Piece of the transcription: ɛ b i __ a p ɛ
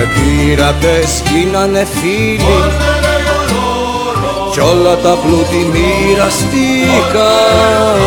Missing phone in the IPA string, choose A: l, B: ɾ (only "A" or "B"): B